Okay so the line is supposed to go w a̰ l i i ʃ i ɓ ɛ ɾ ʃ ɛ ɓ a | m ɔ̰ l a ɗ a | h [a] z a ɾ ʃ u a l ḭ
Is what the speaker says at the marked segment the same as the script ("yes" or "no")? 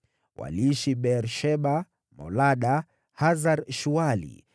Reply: yes